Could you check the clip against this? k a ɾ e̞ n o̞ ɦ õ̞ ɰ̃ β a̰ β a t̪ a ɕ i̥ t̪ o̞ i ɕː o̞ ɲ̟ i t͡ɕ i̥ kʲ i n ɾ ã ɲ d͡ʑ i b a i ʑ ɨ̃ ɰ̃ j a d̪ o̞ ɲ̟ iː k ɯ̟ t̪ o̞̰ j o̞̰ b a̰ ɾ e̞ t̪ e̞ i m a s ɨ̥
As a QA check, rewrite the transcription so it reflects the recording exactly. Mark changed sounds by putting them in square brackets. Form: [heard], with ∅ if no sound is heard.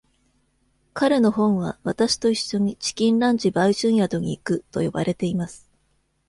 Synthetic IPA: k a ɾ e̞ n o̞ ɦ õ̞ ɰ̃ β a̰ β a t̪ a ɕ i̥ t̪ o̞ i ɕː o̞ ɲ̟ i t͡ɕ i̥ kʲ [ĩ] n ɾ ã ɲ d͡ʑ i b a i ʑ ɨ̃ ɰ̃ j a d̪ o̞ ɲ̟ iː k ɯ̟ t̪ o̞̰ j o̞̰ b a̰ ɾ e̞ t̪ e̞ i m a s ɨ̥